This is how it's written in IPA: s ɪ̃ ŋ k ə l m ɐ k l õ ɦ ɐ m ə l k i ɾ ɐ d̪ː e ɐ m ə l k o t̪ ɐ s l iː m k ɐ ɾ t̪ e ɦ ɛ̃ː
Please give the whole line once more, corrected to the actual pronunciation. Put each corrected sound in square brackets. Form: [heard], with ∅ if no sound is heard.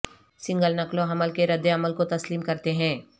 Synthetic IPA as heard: s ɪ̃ ŋ [ɡ] ə l [n] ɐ k l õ ɦ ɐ m ə l k [e] ɾ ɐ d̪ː e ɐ m ə l k o t̪ ɐ s l iː m k ɐ ɾ t̪ e ɦ ɛ̃ː